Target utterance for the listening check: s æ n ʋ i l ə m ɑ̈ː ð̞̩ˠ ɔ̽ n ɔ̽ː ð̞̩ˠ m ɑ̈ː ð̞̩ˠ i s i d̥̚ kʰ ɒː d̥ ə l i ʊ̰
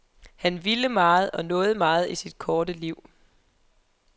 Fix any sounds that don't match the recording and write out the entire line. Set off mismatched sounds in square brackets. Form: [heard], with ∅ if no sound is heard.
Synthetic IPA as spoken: [h] æ n ʋ i l ə m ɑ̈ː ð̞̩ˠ [ɒ̽] n ɔ̽ː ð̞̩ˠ m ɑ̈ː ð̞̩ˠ i s i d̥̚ kʰ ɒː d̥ ə l i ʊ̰